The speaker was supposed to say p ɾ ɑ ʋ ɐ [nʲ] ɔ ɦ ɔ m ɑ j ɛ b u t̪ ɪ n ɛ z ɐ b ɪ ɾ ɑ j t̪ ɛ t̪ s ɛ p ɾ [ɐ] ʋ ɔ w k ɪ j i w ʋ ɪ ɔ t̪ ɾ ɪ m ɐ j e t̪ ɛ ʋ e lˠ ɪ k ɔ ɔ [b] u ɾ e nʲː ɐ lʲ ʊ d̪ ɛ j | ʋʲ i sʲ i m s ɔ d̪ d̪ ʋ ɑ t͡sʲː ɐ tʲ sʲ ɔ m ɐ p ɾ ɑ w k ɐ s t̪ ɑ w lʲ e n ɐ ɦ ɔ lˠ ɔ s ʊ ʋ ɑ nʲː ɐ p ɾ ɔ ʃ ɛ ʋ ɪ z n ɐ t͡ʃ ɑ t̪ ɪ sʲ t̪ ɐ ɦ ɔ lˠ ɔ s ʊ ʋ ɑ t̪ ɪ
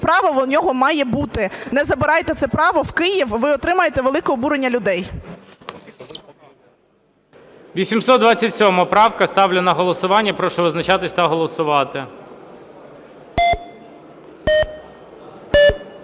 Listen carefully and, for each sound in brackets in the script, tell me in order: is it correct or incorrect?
correct, incorrect: ɑ, correct

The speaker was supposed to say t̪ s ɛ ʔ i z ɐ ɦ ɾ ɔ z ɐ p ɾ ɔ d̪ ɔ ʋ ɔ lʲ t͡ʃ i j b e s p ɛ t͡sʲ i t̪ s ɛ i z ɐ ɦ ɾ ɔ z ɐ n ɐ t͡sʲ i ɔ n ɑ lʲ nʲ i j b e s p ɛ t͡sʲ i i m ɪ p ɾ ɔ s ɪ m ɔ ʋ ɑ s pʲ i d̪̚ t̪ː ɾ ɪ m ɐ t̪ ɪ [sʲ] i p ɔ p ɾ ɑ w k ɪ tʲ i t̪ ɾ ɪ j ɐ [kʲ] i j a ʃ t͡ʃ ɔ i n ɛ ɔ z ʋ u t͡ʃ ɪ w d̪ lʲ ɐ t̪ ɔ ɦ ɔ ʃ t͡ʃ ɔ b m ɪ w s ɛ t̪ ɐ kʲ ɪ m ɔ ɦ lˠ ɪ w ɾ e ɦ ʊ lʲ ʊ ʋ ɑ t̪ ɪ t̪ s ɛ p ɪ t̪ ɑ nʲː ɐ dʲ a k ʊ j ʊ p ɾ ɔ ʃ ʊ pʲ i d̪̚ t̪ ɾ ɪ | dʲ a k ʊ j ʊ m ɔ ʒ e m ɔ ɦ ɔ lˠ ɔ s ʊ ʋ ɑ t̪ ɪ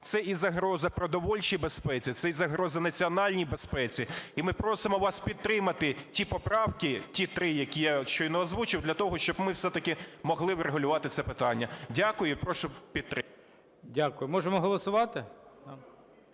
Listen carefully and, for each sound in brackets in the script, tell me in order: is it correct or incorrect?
incorrect: tʲ, correct

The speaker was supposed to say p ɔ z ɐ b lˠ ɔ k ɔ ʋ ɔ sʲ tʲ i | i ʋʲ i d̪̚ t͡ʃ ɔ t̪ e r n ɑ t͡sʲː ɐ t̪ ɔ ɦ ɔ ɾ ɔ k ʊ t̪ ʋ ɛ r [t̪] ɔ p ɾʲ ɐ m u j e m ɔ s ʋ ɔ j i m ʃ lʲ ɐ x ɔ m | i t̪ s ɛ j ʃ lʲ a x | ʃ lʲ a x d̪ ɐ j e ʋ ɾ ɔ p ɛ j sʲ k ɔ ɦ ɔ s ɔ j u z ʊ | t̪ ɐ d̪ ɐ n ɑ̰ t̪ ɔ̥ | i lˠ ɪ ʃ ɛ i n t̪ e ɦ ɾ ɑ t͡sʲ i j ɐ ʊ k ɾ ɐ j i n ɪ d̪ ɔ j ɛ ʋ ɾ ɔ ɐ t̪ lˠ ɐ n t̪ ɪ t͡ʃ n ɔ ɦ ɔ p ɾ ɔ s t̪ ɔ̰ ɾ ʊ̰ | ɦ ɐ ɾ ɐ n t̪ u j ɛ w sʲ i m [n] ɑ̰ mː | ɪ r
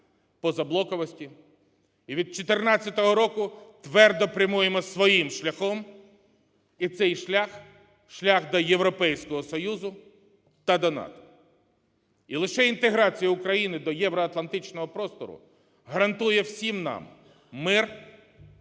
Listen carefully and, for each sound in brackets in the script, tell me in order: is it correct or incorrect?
incorrect: d̪, correct

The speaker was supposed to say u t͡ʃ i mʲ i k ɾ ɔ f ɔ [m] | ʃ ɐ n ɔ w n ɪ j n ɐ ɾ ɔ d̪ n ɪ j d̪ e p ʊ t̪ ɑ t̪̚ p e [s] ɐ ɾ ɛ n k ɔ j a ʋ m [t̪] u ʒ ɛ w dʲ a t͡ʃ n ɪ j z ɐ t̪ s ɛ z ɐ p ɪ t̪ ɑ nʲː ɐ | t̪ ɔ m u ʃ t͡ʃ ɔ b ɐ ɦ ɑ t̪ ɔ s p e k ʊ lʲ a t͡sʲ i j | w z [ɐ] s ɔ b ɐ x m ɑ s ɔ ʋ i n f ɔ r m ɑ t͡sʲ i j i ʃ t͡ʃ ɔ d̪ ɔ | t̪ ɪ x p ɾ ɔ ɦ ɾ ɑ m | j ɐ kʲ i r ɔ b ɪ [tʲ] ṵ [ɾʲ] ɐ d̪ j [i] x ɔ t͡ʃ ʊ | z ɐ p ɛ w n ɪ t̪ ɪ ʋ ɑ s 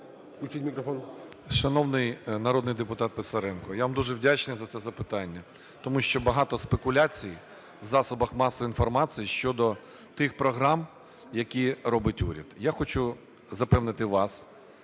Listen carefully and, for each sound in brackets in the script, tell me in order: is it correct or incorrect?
incorrect: n, correct, incorrect: d̪, incorrect: ɑ, correct, correct, incorrect: a

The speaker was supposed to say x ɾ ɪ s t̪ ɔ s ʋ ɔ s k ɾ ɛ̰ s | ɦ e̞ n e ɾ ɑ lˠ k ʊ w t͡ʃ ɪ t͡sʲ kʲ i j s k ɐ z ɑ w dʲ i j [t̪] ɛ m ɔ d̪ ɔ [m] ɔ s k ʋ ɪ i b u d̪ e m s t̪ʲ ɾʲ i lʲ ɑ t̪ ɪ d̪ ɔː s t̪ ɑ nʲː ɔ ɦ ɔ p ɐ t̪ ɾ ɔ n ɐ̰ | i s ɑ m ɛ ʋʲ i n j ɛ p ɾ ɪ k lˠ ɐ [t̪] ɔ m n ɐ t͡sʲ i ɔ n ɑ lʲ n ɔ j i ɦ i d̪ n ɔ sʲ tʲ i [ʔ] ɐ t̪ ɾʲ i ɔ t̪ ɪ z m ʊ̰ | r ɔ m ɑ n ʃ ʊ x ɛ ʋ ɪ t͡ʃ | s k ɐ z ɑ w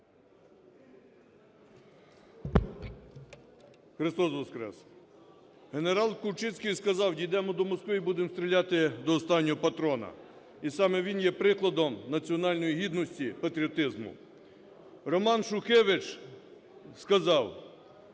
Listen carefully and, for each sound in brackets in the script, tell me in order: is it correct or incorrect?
incorrect: d̪, correct, incorrect: d̪, incorrect: p

